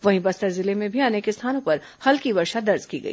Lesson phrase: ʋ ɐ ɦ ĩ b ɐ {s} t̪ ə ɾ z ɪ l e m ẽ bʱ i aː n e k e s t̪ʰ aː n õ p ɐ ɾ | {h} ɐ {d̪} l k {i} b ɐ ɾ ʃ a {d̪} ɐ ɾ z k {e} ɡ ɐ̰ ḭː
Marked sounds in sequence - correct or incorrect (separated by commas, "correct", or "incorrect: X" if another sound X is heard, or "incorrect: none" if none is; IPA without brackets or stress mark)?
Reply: correct, correct, incorrect: none, correct, correct, incorrect: i